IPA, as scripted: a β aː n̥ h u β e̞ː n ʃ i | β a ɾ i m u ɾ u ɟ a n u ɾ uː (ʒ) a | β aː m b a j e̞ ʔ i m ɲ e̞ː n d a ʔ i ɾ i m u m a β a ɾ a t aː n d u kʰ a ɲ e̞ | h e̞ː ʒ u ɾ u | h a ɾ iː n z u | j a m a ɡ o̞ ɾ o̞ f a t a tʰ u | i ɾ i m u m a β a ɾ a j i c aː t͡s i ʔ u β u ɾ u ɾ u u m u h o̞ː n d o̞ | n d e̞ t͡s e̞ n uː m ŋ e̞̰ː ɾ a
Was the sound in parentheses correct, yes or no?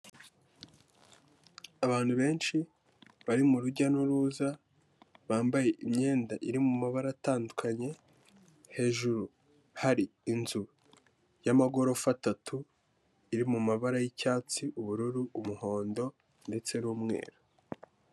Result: no